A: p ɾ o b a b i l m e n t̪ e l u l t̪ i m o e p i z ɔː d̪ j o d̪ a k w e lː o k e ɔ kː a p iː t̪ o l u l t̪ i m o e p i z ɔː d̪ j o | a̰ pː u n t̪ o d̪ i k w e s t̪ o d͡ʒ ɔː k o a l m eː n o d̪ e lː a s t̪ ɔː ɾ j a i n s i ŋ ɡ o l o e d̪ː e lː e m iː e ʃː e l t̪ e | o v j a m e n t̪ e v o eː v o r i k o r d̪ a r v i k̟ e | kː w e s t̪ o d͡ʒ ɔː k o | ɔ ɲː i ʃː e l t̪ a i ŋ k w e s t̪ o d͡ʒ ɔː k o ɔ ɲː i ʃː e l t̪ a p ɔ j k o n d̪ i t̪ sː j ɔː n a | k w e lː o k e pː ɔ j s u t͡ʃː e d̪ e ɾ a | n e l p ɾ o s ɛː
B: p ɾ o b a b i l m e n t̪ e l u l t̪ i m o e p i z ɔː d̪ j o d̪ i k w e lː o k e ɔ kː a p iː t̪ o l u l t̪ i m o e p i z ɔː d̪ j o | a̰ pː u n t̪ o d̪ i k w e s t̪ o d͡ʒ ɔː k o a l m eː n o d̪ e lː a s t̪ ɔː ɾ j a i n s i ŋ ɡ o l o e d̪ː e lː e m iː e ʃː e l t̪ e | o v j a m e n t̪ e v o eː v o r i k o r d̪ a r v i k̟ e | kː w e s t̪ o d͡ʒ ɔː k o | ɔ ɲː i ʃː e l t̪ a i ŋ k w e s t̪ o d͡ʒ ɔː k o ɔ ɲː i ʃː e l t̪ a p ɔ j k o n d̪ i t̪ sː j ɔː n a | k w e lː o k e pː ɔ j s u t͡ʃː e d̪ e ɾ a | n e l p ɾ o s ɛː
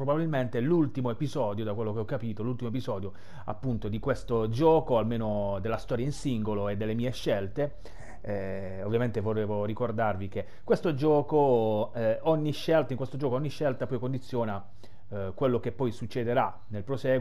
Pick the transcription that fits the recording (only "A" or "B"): A